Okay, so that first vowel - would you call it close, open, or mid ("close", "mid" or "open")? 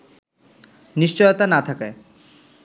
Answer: close